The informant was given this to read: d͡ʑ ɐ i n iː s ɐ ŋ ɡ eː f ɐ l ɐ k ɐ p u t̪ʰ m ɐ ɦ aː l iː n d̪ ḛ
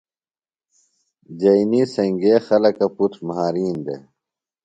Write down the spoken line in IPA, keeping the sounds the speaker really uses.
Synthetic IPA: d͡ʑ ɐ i n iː s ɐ ŋ ɡ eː x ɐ l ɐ k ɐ p u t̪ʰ m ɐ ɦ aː ɾ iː n d̪ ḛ